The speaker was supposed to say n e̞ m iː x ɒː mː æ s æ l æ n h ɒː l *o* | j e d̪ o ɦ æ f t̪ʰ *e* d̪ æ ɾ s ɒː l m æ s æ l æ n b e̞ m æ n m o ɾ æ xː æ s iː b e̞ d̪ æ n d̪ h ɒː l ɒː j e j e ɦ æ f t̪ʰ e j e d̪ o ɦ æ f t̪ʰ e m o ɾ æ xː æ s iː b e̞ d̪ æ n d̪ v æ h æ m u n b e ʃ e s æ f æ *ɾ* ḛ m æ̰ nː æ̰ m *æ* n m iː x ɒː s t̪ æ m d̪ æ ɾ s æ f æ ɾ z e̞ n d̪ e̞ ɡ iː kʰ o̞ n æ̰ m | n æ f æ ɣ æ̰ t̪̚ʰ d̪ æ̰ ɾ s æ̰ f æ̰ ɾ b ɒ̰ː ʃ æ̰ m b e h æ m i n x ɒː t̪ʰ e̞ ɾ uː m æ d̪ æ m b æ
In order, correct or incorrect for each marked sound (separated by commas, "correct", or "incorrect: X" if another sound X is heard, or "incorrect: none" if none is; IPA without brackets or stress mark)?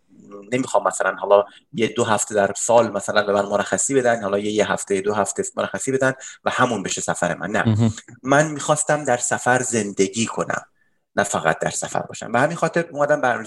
incorrect: ɒ, correct, correct, correct